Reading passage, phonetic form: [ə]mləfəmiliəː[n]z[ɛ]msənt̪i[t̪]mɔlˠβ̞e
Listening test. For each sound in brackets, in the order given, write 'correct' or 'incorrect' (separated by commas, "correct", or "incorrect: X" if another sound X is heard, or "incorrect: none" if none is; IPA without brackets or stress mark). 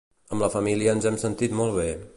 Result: correct, correct, correct, correct